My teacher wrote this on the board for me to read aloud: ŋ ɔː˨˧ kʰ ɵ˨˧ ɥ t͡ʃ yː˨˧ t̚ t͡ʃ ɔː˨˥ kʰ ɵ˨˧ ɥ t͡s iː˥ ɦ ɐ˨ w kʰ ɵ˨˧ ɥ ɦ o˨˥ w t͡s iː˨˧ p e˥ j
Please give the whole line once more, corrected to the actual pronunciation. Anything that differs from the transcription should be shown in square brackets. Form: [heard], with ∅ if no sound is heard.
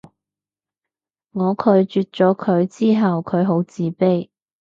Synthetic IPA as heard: ŋ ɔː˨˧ kʰ ɵ˨˧ ɥ t͡ʃ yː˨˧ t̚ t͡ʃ ɔː˨˥ kʰ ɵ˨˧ ɥ t͡s iː˥ ɦ ɐ˨ w kʰ ɵ˨˧ ɥ ɦ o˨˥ w t͡s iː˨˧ p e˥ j